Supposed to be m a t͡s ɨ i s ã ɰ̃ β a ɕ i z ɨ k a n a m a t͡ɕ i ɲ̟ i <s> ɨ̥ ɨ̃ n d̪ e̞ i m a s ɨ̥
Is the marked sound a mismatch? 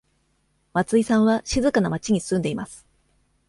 no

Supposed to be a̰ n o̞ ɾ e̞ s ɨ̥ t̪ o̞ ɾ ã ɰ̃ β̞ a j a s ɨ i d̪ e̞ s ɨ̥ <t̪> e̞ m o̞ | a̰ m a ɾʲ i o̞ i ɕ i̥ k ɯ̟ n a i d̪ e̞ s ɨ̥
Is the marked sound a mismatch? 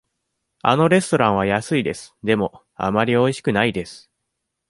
yes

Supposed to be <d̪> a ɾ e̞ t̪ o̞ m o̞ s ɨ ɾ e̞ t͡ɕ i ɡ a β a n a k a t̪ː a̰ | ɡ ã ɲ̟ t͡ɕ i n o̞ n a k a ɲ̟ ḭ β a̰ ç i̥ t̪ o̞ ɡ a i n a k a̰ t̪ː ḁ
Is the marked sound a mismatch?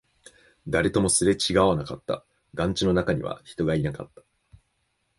no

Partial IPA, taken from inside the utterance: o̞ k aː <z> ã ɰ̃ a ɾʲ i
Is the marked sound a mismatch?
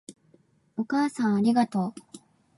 yes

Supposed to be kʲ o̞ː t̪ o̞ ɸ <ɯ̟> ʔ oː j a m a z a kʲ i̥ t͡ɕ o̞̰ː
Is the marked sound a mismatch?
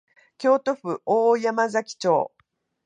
no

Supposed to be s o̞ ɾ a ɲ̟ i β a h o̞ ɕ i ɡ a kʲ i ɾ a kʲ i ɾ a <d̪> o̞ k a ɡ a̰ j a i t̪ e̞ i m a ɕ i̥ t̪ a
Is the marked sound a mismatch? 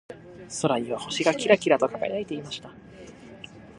yes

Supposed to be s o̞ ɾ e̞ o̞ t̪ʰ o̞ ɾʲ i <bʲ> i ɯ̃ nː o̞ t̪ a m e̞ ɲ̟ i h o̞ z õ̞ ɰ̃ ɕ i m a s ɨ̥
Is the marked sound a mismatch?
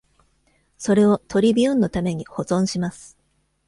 no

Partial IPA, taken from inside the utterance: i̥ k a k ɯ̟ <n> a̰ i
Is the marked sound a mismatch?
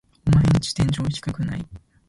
no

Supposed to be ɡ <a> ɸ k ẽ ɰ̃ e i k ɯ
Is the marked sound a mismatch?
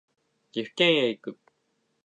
yes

